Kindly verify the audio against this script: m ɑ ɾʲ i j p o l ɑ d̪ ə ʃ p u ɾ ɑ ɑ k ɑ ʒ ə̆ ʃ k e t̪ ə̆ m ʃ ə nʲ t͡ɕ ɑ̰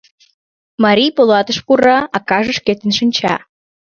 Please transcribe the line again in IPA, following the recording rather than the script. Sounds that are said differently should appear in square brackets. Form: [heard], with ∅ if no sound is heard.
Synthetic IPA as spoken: m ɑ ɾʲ i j p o l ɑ [t̪] ə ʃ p u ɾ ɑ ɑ k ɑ ʒ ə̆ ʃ k e t̪ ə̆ [n] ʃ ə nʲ t͡ɕ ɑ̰